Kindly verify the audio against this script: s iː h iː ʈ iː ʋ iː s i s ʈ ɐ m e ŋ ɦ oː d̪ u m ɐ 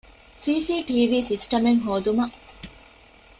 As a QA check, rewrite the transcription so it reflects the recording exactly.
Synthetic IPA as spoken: s iː s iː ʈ iː ʋ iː s i s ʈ ɐ m e ŋ ɦ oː d̪ u m ɐ